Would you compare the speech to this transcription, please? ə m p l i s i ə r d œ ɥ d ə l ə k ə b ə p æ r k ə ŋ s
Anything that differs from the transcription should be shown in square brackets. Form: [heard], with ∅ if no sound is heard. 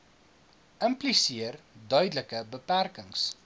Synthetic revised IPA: ə m p l i s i ə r d œ ɥ d ə l ə k ə b ə p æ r k ə ŋ s